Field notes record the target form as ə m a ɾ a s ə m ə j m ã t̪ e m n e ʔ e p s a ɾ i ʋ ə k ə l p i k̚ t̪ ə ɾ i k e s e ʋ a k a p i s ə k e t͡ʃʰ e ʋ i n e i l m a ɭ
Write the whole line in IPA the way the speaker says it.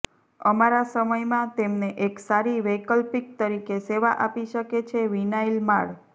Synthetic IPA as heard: ə m a ɾ a s ə m ə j m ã t̪ e m n e ʔ e k s a ɾ i ʋ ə k ə l p i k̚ t̪ ə ɾ i k e s e ʋ a ʔ a p i ʃ ə k e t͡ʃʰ e ʋ i n a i l m a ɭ